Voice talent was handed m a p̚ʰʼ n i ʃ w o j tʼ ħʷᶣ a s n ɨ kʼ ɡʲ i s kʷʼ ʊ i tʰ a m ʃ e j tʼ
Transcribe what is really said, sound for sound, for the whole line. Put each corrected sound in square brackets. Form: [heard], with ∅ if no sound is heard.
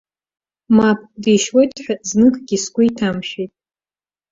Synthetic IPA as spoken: m a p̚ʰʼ [d] i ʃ w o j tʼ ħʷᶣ a [z] n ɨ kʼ ɡʲ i s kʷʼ ʊ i tʰ a m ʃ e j tʼ